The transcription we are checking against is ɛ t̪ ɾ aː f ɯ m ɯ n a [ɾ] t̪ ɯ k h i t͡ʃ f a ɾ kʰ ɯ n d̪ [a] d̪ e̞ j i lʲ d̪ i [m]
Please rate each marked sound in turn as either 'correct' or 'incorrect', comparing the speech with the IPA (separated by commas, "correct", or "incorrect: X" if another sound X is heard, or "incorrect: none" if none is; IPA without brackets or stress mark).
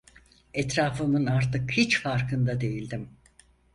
correct, correct, correct